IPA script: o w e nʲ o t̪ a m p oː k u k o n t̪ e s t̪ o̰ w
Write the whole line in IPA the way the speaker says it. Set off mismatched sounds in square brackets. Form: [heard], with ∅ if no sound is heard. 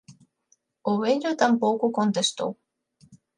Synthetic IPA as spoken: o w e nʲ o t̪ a m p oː k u k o n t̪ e s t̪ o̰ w